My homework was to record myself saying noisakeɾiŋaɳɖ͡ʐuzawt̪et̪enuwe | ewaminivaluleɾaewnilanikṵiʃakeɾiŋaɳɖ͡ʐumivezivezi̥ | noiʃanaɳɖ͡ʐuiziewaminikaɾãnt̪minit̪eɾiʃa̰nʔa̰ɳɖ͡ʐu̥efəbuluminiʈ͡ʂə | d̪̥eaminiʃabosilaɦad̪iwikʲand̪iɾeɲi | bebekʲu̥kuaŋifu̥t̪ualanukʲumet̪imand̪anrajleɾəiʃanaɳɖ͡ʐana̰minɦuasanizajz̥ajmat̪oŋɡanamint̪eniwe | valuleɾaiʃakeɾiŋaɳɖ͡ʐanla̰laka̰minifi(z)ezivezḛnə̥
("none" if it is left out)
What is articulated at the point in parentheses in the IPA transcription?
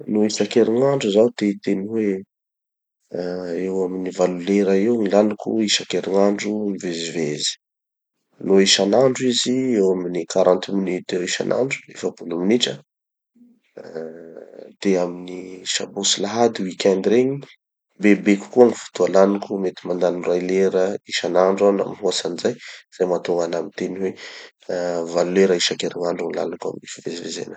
v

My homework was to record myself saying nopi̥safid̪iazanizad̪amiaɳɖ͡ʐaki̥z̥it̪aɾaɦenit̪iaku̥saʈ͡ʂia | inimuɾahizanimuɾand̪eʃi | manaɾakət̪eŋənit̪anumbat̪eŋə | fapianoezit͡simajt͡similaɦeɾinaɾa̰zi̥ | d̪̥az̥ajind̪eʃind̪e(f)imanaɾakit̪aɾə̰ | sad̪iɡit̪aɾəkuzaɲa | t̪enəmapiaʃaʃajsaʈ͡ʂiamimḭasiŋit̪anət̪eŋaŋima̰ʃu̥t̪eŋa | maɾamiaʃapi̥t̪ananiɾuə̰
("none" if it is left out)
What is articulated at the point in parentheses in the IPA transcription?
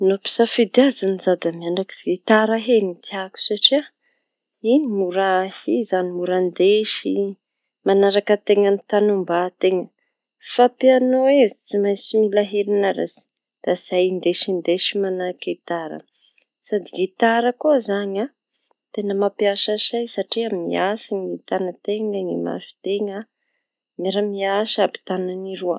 ʃ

